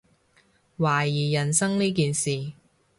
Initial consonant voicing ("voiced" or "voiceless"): voiced